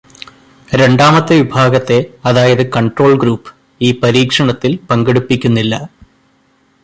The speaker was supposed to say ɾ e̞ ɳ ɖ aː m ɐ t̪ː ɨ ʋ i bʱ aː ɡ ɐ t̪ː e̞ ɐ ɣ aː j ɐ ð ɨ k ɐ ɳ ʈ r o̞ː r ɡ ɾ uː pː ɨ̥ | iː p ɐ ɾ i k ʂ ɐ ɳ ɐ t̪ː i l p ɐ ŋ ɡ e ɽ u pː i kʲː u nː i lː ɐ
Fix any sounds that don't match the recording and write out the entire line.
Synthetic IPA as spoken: ɾ e̞ ɳ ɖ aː m ɐ t̪ː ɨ ʋ i bʱ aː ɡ ɐ t̪ː e̞ ɐ ð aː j ɐ ð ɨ k ɐ ɳ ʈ r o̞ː ɭ ɡ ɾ uː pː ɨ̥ | iː p ɐ ɾ iː k ʂ ɐ ɳ ɐ t̪ː i l p ɐ ŋ ɡ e ɽ u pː i kʲː u nː i lː ɐ